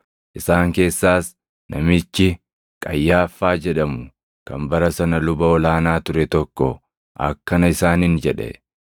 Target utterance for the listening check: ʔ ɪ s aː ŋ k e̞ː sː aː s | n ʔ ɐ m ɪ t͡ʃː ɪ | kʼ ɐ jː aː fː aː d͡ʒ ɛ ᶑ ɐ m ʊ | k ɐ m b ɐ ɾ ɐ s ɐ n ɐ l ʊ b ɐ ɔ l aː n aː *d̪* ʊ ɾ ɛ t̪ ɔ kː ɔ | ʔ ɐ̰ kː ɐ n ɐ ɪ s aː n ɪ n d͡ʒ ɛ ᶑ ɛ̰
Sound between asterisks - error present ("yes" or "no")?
yes